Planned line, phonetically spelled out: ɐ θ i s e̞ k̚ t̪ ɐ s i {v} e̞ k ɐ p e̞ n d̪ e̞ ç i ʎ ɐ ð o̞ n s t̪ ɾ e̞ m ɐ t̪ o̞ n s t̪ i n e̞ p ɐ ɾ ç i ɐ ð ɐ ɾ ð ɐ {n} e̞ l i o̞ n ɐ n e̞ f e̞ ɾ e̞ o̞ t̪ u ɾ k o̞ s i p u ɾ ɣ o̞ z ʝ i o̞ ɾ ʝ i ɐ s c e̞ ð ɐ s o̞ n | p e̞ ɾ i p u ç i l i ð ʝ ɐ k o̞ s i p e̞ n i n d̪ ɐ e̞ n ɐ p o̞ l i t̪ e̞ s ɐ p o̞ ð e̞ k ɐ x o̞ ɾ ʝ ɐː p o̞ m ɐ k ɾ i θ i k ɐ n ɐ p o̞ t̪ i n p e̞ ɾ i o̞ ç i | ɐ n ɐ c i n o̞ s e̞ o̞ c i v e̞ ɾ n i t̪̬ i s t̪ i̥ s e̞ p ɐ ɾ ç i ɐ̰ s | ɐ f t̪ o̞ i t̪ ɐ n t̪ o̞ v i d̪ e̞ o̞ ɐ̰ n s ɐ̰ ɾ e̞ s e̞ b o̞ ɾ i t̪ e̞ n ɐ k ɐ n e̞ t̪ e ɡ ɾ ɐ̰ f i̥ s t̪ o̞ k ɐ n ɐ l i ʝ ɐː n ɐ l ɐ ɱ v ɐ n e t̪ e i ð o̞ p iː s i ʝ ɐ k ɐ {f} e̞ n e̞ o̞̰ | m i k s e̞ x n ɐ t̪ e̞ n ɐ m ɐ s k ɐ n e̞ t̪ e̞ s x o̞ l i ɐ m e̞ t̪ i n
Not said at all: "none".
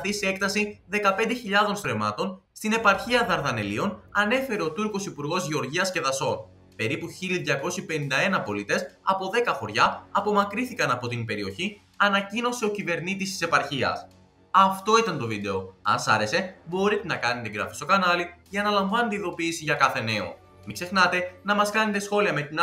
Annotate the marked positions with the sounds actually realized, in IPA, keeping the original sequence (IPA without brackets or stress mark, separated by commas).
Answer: ð, n, θ